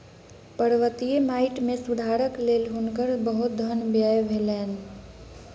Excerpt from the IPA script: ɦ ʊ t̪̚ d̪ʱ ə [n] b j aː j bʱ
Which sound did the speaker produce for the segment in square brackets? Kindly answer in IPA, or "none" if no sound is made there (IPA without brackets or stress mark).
n